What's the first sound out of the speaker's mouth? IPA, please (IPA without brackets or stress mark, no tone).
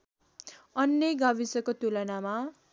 ʌ